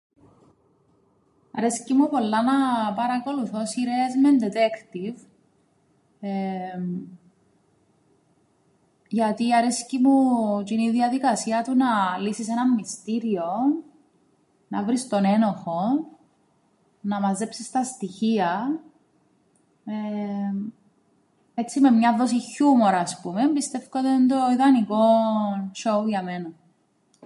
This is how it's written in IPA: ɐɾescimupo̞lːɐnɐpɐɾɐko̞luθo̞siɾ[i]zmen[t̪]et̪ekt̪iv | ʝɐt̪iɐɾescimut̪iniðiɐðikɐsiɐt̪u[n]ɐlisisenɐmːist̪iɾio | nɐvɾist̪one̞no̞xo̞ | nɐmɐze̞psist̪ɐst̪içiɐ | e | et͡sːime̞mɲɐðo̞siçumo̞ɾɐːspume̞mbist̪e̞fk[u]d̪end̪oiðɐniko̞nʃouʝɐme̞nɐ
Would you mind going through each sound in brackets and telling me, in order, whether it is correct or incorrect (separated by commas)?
incorrect, incorrect, correct, incorrect